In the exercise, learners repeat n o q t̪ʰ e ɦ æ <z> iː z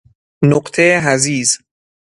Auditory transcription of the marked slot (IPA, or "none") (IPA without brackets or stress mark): z